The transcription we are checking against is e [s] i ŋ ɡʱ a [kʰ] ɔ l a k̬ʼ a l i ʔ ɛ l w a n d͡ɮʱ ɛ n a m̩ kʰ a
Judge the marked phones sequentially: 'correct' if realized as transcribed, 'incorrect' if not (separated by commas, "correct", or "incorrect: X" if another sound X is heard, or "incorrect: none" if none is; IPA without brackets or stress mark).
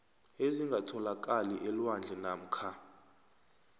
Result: incorrect: z, incorrect: tʰ